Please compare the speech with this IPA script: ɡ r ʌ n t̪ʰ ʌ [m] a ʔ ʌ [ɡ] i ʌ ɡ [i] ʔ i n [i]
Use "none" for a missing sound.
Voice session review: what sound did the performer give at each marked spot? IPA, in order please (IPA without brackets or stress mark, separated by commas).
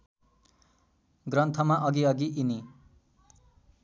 m, ɡ, i, i